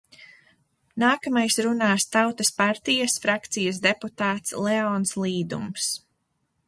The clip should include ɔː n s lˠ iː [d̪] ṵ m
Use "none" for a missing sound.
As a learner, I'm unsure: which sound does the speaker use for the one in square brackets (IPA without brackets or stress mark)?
d̪